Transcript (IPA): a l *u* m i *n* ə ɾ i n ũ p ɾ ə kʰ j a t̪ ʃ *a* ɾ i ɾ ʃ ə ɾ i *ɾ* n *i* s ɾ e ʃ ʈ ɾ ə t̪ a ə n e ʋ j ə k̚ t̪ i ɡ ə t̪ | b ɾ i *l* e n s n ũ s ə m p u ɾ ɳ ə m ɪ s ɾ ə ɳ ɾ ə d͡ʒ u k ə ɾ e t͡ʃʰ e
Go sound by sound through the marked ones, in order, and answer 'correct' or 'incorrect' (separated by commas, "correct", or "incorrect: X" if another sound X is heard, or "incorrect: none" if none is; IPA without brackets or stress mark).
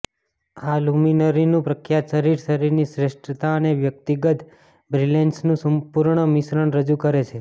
correct, correct, incorrect: ə, correct, correct, correct